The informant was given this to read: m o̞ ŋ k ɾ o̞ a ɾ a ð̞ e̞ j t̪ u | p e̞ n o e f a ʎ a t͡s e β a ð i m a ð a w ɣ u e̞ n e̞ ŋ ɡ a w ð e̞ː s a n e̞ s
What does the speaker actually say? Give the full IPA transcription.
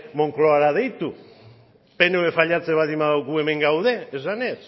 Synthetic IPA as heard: m o̞ ŋ k l o̞ a ɾ a ð̞ e̞ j t̪ u | p e̞ n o e f a ʎ a t͡s e β a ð i m a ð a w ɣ u e̞ m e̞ ŋ ɡ a w ð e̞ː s a n e̞ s